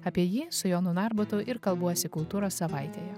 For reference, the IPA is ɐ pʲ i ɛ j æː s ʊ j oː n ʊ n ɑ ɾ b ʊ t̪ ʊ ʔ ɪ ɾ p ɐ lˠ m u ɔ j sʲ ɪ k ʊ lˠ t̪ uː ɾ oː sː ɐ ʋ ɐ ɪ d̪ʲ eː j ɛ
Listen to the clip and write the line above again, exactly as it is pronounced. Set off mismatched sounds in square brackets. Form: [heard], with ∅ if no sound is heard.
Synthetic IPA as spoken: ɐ pʲ i ɛ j [iː] s ʊ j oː n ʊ n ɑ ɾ b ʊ t̪ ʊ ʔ ɪ ɾ [k] ɐ lˠ [b] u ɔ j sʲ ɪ k ʊ lˠ t̪ uː ɾ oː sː ɐ ʋ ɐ ɪ [t̪ʲ] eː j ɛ